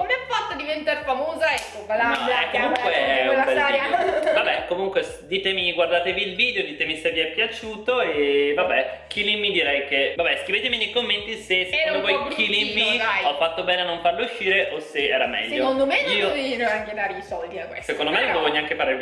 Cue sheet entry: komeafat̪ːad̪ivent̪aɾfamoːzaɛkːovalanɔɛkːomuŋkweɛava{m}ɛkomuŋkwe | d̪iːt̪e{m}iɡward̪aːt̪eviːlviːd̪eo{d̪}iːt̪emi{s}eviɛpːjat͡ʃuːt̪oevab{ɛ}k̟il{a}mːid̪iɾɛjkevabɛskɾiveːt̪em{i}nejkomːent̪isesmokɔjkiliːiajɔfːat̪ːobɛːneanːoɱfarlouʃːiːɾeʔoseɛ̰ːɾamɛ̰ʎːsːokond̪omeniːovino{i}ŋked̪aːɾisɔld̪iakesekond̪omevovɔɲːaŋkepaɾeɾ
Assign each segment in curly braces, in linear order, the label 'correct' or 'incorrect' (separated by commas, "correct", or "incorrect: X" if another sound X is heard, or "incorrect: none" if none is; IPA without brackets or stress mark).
incorrect: b, correct, correct, correct, correct, incorrect: i, correct, incorrect: a